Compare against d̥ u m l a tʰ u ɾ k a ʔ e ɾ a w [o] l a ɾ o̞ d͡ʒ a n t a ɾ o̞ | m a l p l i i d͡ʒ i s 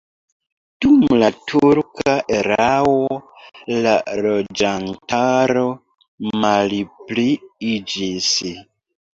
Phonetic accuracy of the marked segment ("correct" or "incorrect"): correct